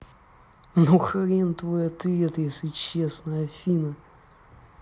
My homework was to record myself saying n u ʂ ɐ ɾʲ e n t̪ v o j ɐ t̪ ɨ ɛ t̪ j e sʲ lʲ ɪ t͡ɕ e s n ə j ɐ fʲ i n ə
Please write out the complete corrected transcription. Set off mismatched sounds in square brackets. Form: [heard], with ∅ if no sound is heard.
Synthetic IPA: n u [x] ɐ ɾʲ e n t̪ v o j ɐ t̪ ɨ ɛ t̪ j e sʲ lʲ ɪ t͡ɕ e s n ə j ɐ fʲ i n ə